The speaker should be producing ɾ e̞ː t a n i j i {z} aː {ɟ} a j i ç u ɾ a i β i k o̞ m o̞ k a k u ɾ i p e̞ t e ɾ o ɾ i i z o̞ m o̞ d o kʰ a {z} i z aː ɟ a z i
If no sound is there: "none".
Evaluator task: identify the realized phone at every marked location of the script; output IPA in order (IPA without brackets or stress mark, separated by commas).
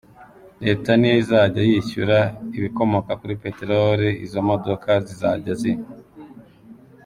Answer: z, ɟ, z